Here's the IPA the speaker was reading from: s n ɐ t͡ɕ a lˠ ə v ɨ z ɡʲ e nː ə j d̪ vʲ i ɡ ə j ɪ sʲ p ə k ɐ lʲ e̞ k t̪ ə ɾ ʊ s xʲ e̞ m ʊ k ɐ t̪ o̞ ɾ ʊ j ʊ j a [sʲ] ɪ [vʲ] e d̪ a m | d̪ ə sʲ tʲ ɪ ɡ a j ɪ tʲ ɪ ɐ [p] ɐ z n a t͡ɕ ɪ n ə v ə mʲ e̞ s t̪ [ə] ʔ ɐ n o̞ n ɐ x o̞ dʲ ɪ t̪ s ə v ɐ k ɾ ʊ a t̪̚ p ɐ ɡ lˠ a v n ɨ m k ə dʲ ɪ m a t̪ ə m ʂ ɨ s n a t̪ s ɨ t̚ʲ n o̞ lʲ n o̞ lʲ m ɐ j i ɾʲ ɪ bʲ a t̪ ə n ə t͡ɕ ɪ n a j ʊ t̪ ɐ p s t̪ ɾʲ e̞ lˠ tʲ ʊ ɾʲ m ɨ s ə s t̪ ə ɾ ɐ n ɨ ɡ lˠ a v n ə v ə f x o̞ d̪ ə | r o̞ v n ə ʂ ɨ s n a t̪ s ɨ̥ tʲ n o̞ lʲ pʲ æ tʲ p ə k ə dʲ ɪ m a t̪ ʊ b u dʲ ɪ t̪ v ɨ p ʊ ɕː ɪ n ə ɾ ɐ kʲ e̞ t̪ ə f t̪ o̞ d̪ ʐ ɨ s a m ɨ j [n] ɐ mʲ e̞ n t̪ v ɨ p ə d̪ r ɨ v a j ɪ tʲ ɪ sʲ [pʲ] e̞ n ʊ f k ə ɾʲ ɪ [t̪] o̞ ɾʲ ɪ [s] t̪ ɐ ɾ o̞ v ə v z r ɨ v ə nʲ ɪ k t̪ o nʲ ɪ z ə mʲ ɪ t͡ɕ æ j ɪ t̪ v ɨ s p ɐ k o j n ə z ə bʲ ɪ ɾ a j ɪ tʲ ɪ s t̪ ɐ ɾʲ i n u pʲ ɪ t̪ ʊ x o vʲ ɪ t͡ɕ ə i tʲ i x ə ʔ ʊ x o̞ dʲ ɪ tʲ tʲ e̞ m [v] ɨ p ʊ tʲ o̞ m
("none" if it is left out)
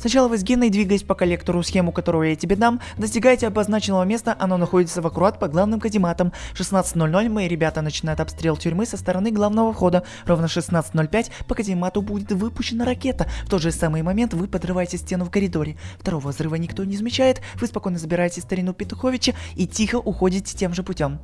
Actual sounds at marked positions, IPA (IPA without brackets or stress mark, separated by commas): tʲ, bʲ, b, ə, m, tʲ, d̪, f, ʐ